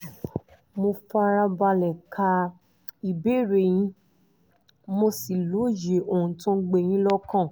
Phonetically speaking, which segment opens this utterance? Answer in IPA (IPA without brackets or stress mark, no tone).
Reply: m